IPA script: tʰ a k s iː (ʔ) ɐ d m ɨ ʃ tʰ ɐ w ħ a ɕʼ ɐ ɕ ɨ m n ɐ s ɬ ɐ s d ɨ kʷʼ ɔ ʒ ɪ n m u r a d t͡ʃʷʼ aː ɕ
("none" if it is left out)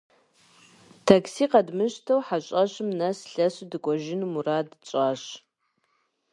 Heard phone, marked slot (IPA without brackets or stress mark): q